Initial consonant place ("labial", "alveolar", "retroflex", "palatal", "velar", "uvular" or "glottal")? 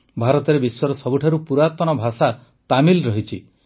labial